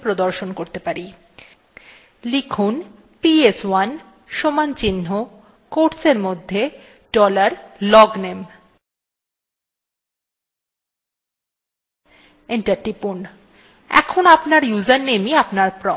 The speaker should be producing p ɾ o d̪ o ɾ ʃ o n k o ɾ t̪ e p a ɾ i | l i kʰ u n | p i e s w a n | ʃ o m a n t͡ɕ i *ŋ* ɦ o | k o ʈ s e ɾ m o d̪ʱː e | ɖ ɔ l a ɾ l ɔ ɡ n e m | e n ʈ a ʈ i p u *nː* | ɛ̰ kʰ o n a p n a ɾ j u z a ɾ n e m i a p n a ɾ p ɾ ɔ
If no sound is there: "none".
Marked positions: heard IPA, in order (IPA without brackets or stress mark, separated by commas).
n, n